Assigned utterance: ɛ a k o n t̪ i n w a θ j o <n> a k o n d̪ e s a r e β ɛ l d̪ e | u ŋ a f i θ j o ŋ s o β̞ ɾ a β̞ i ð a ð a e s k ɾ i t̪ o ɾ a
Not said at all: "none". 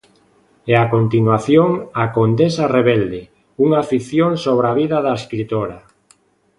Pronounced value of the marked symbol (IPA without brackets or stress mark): ŋ